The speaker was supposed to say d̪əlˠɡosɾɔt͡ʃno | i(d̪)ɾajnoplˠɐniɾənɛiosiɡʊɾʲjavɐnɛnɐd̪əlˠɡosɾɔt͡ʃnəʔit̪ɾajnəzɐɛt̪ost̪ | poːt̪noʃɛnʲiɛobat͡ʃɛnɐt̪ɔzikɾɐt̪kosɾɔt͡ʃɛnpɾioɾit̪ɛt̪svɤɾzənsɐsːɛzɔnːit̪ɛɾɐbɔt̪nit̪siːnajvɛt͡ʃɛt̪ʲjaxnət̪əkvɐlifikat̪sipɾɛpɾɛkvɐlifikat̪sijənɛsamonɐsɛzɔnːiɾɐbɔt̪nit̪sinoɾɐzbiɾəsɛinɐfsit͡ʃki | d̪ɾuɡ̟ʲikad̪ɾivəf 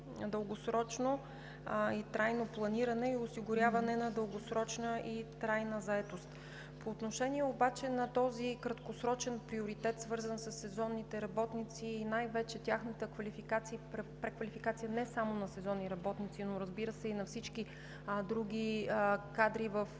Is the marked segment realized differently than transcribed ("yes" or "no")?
yes